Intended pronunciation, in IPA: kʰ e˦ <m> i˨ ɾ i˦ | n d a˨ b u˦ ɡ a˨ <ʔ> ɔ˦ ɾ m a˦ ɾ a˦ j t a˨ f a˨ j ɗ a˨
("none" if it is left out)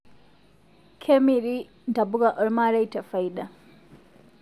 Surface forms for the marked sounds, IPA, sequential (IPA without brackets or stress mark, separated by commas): m, ʔ